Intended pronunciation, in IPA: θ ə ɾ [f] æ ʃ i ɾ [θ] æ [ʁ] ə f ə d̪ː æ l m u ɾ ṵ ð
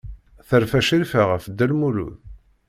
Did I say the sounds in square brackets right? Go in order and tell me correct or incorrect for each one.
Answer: correct, incorrect: f, correct

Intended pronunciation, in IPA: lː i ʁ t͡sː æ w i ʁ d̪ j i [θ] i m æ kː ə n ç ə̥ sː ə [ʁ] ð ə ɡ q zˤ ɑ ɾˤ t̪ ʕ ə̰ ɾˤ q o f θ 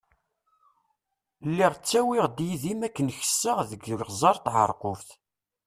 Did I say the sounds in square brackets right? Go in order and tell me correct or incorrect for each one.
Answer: incorrect: ð, correct

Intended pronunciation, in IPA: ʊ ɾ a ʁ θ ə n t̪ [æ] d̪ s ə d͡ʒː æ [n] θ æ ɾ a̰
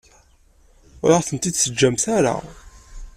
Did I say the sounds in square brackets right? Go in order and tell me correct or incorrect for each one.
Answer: incorrect: i, incorrect: m

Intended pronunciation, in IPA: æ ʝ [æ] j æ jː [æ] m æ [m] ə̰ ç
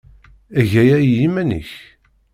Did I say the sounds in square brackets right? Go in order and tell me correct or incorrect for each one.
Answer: correct, incorrect: i, incorrect: n

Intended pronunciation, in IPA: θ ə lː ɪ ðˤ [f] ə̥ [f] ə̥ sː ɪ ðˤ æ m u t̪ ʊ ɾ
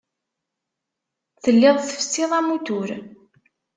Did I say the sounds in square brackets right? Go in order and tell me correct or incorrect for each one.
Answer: incorrect: θ, correct

